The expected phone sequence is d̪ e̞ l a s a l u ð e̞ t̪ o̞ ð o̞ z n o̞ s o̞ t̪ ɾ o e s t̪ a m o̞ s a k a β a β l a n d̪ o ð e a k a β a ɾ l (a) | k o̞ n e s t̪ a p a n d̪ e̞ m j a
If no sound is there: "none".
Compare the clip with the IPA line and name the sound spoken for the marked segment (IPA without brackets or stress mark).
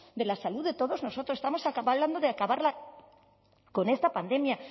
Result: a